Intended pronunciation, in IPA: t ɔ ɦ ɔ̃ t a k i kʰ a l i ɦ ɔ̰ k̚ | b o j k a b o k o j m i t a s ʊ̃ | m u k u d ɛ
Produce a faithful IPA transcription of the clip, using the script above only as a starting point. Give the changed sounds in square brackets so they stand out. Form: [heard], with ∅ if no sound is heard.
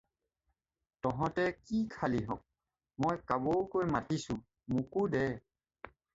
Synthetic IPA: t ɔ ɦ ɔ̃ t [ɛ] k i kʰ a l i ɦ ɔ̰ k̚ | [m] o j k a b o k o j m [a] t [i] s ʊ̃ | m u k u d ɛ